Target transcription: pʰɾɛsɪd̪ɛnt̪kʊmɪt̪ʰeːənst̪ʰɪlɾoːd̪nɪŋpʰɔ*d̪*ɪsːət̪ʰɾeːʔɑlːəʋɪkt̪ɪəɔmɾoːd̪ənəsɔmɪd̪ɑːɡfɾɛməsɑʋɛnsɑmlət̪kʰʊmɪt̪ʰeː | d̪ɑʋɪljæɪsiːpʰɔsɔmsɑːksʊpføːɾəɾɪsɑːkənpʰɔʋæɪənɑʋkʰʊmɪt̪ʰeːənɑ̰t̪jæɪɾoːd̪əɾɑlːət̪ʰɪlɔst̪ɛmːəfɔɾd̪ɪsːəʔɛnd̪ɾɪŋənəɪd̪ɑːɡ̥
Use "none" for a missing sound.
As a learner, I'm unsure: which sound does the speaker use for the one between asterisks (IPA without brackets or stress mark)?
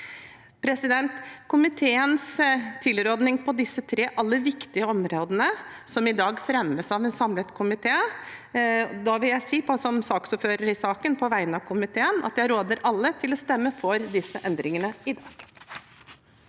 d̪